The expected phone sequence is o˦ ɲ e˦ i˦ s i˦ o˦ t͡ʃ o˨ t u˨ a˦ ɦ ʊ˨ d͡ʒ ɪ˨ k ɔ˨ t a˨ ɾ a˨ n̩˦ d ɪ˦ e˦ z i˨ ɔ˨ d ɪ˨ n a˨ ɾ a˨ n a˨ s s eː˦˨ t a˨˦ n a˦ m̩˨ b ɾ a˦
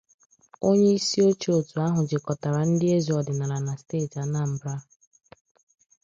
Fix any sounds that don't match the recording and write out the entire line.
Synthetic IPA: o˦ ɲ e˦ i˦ s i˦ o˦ t͡ʃ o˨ t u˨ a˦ ɦ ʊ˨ d͡ʒ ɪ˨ k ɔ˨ t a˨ ɾ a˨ n̩˦ d ɪ˦ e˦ z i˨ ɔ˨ d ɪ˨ n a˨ ɾ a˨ n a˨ s t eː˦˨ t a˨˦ n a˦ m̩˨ b ɾ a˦